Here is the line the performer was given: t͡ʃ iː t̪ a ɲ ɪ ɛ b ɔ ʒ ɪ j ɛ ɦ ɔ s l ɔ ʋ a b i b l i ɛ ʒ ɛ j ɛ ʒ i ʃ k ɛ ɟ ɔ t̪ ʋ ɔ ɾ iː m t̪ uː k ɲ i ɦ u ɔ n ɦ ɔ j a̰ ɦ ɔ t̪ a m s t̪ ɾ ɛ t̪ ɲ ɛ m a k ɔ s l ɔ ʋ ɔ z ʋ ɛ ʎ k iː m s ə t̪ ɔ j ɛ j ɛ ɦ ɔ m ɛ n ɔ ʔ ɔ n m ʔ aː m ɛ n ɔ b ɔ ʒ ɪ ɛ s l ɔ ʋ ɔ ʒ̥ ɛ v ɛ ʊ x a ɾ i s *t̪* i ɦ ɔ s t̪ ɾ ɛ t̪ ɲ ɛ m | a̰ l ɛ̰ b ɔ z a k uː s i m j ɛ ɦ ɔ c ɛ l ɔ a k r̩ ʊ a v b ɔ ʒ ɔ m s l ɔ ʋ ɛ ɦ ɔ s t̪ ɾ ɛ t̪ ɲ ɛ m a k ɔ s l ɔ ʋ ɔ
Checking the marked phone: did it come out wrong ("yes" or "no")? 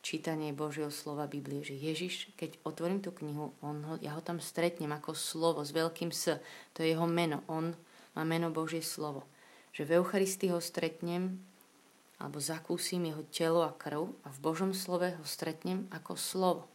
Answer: no